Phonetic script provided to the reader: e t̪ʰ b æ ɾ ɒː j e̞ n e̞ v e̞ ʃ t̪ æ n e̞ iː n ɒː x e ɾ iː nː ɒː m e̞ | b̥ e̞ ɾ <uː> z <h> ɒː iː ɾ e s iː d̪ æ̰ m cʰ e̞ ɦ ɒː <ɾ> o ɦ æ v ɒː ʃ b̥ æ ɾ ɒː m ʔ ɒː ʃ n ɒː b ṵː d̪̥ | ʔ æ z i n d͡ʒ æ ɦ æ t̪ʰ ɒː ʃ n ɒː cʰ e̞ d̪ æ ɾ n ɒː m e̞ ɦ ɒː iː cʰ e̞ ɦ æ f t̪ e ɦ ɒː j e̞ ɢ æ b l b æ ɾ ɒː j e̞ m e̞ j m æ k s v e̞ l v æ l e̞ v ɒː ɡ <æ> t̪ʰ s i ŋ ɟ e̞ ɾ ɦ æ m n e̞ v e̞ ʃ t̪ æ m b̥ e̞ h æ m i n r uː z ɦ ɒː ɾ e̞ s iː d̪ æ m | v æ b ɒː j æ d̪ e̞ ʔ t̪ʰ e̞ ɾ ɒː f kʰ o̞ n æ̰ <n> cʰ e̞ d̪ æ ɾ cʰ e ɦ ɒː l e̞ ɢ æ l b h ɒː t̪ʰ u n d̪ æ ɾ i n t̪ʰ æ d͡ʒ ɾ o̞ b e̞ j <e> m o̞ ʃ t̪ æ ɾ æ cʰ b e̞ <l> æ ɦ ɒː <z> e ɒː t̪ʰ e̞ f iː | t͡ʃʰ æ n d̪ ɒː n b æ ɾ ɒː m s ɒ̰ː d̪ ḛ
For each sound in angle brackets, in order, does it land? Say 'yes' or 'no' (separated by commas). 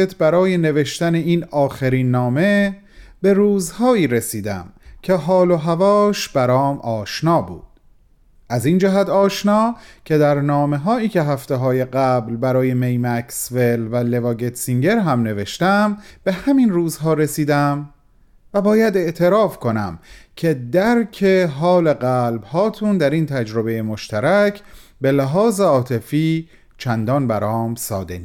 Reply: yes, yes, no, no, no, yes, yes, yes